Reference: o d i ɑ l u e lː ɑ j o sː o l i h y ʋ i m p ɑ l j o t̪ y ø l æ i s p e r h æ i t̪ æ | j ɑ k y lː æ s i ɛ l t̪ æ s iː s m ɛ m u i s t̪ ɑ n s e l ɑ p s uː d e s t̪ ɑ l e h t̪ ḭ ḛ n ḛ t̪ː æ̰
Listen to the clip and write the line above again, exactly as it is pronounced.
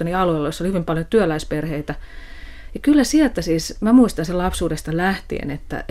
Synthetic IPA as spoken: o n i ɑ l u e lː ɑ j o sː o l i h y ʋ i m p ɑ l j o t̪ y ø l æ i s p e r h e i t̪ æ | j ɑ k y lː æ s i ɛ l t̪ æ s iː s m æ m u i s t̪ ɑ n s e l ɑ p s uː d e s t̪ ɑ l æ h t̪ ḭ ḛ n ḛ t̪ː æ̰